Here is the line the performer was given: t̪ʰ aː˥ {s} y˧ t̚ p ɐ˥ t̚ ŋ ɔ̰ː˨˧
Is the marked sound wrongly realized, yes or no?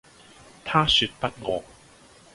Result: no